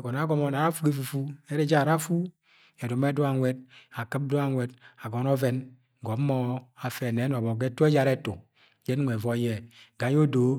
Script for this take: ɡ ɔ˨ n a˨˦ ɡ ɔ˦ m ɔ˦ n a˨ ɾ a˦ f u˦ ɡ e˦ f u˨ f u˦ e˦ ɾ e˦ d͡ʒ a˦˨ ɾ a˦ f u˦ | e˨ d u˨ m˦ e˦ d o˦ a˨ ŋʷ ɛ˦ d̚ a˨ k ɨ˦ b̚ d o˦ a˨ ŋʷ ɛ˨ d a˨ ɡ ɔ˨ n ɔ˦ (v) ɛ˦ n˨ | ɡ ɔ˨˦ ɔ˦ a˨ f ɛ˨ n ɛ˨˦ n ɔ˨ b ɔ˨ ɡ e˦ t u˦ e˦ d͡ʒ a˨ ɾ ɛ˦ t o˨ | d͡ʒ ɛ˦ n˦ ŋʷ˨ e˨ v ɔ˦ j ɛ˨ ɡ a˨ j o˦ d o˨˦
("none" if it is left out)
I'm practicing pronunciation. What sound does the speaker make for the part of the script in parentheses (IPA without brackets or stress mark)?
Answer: v